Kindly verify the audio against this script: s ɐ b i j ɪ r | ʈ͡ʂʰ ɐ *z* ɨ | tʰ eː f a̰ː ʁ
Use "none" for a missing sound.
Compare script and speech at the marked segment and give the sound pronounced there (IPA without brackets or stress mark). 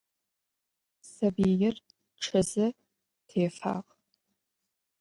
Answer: z